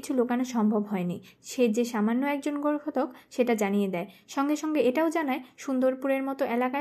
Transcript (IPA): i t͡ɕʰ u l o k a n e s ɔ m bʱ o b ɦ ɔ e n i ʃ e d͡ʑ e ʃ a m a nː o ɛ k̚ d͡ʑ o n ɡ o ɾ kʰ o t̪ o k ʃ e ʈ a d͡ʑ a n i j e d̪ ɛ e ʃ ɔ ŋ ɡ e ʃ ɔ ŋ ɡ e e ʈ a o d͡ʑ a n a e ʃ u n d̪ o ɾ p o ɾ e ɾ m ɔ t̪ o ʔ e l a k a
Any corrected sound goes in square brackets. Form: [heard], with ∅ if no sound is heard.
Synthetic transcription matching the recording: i t͡ɕʰ u l o k a n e [ʃ] ɔ m bʱ o b ɦ ɔ e n i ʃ e d͡ʑ e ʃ a m a nː o ɛ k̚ d͡ʑ o n ɡ o ɾ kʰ o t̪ o k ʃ e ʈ a d͡ʑ a n i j e d̪ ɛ e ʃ ɔ ŋ ɡ e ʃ ɔ ŋ ɡ e e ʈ a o d͡ʑ a n a e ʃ u n d̪ o ɾ p [u] ɾ e ɾ m ɔ t̪ o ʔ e l a k a